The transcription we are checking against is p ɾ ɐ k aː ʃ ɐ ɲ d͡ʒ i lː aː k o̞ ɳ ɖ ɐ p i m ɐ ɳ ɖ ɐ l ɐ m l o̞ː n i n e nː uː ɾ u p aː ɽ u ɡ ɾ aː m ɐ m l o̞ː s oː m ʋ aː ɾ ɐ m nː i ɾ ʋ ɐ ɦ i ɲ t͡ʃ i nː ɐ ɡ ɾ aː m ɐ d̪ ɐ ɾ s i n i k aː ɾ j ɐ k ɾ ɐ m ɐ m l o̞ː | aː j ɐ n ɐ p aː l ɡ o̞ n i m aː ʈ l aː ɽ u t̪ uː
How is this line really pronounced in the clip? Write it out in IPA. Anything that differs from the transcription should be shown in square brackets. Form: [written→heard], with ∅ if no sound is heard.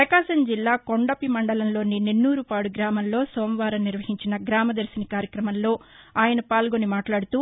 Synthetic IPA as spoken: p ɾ ɐ k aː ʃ ɐ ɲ d͡ʒ i lː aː k o̞ ɳ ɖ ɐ p i m ɐ ɳ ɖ ɐ l ɐ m l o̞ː n i n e nː uː ɾ u p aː ɽ u ɡ ɾ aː m ɐ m l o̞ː s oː m ʋ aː ɾ ɐ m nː i ɾ ʋ ɐ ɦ i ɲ t͡ʃ i [nː→n] ɐ ɡ ɾ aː m ɐ d̪ ɐ ɾ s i n i k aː ɾ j ɐ k ɾ ɐ m ɐ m l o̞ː | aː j ɐ n ɐ p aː l ɡ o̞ n i m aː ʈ l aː ɽ u t̪ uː